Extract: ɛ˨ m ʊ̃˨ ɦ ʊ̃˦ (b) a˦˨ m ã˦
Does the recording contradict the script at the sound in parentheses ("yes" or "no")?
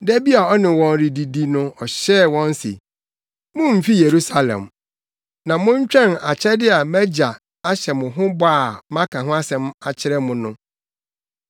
no